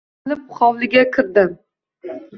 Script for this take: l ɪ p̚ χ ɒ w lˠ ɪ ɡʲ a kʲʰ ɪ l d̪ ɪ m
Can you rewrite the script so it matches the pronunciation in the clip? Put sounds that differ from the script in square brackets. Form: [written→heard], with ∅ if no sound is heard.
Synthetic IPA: l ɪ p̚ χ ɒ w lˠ ɪ ɡʲ a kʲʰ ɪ [l→ɾ] d̪ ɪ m

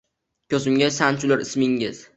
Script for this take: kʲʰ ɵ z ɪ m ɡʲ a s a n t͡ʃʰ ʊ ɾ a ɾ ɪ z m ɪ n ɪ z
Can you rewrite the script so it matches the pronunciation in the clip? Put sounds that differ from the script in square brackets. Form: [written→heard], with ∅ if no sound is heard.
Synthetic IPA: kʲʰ ɵ z ɪ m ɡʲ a s a n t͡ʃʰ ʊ [ɾ→l] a ɾ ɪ [z→s] m ɪ [n→ŋ] ɪ z

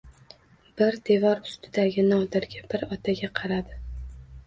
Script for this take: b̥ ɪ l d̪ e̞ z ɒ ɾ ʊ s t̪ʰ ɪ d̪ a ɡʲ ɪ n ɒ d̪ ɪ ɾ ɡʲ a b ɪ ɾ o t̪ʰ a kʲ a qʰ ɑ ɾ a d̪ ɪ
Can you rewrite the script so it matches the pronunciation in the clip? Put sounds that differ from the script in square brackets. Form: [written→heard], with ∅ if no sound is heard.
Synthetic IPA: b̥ ɪ [l→ɾ] d̪ e̞ [z→v] ɒ ɾ ʊ s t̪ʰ ɪ d̪ a ɡʲ ɪ n ɒ d̪ ɪ ɾ ɡʲ a b ɪ ɾ [o→ɒ] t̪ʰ a [kʲ→ɡʲ] a qʰ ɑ ɾ a d̪ ɪ

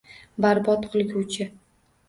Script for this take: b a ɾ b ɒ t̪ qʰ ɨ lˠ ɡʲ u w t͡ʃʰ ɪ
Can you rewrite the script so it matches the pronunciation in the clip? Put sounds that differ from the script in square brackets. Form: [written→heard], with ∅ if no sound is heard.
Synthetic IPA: b a ɾ b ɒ t̪ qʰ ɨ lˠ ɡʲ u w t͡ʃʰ ɪ

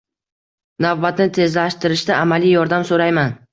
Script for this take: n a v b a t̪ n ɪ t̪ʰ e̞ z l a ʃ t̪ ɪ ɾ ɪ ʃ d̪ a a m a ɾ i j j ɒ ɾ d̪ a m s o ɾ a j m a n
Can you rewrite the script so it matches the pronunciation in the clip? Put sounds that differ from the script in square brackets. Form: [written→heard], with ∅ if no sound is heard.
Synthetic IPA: n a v b a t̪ n ɪ t̪ʰ e̞ z l a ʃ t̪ ɪ ɾ ɪ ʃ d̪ a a m a [ɾ→l] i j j ɒ ɾ d̪ a m s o ɾ a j m a n

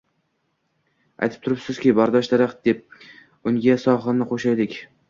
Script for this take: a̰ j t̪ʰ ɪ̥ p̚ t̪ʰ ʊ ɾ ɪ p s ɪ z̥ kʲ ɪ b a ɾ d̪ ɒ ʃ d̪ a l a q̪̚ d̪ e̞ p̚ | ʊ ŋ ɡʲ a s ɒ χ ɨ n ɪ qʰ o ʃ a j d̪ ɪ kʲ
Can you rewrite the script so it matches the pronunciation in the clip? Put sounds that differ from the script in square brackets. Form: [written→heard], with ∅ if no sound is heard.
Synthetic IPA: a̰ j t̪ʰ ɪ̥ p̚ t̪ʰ ʊ ɾ ɪ p s ɪ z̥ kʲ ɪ b a ɾ d̪ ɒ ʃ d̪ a [l→ɾ] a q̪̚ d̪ e̞ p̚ | ʊ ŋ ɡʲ a s ɒ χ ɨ n ɪ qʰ o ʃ a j d̪ ɪ kʲ

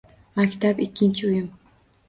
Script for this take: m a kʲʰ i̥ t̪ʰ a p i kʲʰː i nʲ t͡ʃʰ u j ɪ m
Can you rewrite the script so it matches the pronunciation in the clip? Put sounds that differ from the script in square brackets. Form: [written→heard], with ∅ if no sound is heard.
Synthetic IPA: m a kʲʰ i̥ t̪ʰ a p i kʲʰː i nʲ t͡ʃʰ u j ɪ m

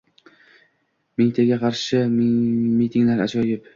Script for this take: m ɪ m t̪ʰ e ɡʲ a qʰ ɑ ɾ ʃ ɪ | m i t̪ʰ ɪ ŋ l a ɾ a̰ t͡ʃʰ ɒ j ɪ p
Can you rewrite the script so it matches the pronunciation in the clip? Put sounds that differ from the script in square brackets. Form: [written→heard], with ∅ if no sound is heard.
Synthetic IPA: m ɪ [m→ŋ] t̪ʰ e ɡʲ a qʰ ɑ ɾ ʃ ɪ | m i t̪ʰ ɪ ŋ l a ɾ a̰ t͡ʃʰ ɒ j ɪ p

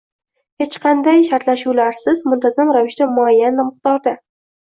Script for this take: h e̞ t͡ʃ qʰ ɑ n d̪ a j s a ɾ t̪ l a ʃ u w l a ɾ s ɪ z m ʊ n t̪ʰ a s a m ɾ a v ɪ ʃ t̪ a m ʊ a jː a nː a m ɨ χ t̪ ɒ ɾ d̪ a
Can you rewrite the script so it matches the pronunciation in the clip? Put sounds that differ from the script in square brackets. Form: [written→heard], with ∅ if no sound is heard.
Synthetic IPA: h e̞ t͡ʃ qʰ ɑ n d̪ a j [s→ʃ] a ɾ t̪ l a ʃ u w l a ɾ s ɪ z m ʊ n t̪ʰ a [s→z] a m ɾ a v ɪ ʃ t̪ a m ʊ a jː a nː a m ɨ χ t̪ ɒ ɾ d̪ a

